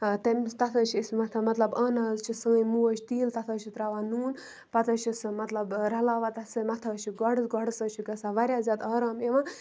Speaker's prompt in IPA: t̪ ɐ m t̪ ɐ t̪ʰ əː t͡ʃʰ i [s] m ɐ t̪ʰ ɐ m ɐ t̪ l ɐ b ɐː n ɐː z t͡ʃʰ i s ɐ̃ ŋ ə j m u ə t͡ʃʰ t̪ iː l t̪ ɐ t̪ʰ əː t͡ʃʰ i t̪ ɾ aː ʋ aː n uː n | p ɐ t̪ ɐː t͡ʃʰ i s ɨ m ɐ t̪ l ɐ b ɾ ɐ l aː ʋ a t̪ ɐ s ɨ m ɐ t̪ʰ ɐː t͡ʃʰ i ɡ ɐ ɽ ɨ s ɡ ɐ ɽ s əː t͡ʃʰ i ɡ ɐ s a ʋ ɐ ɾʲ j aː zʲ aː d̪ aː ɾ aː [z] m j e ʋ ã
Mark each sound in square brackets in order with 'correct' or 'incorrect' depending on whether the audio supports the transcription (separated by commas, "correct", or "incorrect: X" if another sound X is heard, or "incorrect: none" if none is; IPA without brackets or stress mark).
correct, incorrect: none